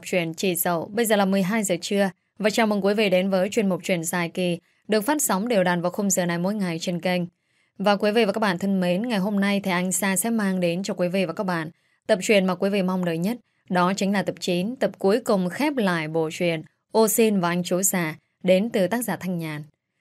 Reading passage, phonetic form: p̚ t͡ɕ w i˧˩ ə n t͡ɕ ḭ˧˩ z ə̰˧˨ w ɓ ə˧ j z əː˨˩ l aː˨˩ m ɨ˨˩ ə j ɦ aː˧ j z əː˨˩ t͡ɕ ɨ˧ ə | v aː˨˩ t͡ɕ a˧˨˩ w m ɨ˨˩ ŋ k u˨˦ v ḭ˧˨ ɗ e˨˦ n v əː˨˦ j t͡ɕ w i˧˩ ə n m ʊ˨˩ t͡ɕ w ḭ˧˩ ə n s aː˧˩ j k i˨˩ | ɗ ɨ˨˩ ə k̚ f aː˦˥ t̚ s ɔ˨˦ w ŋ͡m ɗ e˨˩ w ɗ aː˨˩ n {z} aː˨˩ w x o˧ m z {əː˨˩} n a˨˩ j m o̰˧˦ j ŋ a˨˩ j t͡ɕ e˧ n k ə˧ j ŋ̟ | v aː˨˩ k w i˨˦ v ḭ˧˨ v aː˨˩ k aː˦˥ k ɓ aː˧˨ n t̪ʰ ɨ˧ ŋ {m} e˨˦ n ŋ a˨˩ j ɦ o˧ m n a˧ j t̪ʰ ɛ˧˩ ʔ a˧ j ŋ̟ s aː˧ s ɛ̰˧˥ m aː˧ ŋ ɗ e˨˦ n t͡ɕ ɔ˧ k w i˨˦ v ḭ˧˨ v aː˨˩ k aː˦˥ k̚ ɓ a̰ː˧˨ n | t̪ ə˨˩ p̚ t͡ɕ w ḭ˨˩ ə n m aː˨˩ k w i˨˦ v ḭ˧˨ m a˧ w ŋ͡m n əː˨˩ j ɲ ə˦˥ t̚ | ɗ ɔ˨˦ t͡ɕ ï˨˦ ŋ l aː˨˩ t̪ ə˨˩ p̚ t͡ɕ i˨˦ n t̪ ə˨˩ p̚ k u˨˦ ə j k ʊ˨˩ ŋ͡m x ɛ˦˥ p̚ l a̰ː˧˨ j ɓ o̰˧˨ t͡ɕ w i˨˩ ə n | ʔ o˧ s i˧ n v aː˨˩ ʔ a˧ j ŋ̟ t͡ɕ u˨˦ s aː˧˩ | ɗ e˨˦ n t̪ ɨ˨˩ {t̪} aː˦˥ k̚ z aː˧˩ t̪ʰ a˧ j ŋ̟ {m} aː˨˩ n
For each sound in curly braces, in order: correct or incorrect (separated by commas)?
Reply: incorrect, correct, correct, correct, incorrect